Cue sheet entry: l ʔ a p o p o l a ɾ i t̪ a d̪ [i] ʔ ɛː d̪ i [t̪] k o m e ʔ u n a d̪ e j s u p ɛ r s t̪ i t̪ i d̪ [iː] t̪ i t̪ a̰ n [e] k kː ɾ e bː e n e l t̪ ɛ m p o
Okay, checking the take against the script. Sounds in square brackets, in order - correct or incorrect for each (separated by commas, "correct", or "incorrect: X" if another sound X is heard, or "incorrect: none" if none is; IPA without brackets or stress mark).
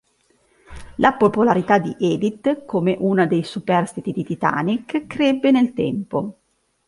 correct, correct, incorrect: i, incorrect: i